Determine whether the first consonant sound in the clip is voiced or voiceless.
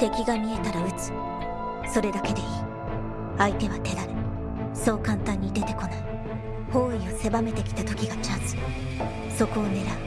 voiceless